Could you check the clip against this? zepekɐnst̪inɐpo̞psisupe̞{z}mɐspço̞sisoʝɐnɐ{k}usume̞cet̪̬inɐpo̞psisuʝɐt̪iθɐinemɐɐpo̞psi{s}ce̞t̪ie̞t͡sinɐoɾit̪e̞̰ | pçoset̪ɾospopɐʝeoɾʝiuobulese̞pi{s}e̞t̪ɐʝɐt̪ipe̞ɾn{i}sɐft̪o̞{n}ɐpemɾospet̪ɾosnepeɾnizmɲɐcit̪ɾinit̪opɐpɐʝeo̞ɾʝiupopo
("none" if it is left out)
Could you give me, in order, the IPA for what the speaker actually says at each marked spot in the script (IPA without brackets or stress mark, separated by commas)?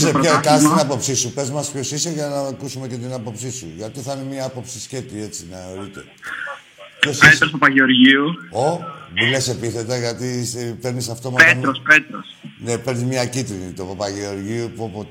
z, k, s, θ, i, m